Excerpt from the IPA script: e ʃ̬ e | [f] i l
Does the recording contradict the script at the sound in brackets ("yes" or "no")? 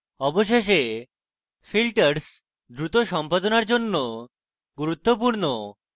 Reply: no